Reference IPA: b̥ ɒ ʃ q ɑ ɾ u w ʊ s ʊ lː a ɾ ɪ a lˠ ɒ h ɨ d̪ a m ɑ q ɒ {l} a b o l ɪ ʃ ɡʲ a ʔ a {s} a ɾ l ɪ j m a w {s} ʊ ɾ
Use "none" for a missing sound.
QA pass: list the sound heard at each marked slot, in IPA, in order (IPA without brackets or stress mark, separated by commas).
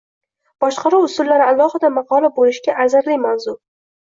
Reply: l, z, z